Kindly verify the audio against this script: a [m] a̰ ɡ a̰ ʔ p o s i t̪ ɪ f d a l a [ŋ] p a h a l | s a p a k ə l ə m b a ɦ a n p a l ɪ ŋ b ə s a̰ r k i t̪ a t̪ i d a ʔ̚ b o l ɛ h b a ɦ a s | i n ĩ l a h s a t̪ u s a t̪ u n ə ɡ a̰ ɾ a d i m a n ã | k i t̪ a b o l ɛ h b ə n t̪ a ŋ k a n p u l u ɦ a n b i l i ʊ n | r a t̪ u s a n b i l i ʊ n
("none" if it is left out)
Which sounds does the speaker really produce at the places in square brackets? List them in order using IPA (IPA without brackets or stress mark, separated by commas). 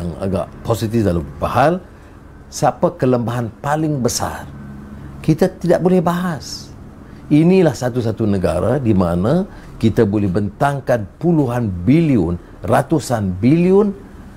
ŋ, m